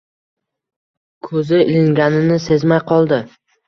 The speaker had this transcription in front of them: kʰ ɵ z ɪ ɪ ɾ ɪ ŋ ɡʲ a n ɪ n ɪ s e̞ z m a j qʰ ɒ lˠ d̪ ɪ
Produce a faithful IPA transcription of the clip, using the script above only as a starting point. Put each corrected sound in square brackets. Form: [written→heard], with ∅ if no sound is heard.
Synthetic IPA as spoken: kʰ ɵ z ɪ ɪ [ɾ→l] ɪ ŋ ɡʲ a n ɪ n ɪ s e̞ z m a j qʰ ɒ lˠ d̪ ɪ